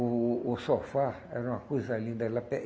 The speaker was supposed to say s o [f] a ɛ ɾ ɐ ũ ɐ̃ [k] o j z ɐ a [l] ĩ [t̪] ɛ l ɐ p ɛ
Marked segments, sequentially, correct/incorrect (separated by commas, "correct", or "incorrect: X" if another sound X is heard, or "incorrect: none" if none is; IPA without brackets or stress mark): correct, correct, correct, incorrect: d̪